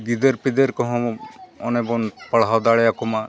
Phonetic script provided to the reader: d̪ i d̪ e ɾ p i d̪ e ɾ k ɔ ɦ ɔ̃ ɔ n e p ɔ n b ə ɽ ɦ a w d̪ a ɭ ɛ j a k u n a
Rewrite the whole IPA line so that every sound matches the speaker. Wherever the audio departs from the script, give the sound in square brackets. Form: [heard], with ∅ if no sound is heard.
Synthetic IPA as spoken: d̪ i d̪ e ɾ p i d̪ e ɾ k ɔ ɦ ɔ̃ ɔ n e [b] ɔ n [p] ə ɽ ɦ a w d̪ a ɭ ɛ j a k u [m] a